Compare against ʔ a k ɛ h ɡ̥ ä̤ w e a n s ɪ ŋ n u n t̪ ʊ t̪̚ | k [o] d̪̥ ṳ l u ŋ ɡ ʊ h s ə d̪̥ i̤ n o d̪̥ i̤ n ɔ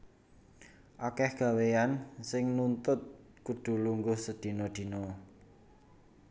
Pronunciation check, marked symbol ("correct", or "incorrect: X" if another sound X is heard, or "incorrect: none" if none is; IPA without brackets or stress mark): incorrect: u